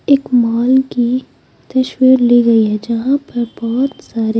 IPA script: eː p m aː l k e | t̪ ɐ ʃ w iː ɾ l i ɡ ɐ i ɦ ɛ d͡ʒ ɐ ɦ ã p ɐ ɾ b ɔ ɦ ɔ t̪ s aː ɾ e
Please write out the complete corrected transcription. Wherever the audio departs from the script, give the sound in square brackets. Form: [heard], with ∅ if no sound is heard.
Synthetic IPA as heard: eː [k] m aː l k [i] | t̪ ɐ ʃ w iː ɾ l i ɡ ɐ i ɦ ɛ d͡ʒ ɐ ɦ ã p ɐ ɾ b ɔ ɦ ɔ t̪ s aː ɾ e